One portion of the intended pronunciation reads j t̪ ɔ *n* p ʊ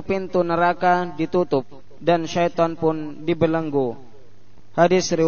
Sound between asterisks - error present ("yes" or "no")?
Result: no